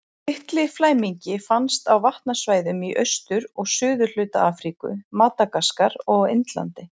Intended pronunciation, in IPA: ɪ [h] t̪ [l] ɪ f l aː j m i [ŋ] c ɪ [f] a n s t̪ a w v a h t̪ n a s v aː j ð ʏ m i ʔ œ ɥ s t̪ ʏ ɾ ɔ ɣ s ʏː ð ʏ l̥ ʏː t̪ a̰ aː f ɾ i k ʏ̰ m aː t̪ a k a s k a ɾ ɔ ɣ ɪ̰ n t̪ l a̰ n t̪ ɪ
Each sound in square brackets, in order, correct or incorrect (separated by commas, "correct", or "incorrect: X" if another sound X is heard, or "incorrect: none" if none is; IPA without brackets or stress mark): correct, correct, incorrect: ɲ, correct